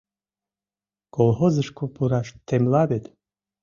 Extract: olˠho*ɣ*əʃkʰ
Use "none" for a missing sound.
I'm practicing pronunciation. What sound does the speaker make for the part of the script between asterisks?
z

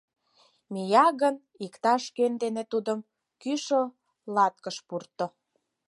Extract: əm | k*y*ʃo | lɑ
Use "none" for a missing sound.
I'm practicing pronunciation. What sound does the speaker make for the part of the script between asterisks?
y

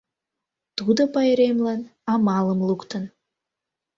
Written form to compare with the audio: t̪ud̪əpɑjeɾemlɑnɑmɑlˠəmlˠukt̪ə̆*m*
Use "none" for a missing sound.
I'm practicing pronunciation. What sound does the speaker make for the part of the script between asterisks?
n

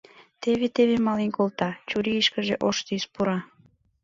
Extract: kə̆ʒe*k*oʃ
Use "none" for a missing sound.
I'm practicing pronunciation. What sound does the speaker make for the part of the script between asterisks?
ʔ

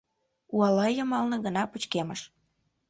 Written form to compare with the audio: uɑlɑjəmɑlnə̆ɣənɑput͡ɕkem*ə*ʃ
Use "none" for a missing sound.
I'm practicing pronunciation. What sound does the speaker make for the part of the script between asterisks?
ə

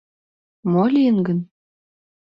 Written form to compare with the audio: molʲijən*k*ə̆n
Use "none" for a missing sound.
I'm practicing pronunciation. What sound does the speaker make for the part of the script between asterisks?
ɡ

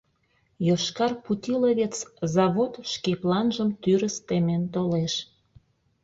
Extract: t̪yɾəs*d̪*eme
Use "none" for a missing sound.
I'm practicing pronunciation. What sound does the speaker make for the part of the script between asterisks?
t̪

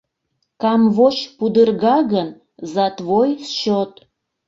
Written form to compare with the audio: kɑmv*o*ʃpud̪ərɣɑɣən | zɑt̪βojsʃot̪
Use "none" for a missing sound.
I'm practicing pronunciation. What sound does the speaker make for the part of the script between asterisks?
o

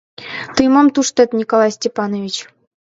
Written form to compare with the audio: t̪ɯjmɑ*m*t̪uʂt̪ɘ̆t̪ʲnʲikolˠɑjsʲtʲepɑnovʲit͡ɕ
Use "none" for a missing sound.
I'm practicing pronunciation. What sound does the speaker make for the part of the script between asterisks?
m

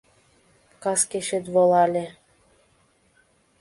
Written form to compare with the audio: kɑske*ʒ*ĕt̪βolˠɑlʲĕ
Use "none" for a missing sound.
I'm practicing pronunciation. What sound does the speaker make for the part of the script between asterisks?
ʃ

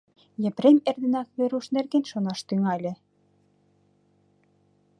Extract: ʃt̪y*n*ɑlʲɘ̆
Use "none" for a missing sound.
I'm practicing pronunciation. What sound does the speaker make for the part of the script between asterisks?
ŋ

